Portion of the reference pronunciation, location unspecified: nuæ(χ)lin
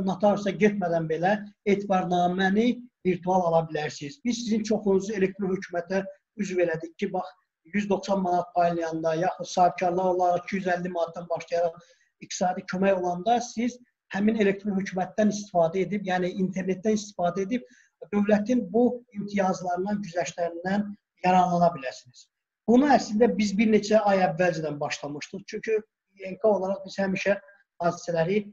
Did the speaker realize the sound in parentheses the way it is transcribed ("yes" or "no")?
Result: no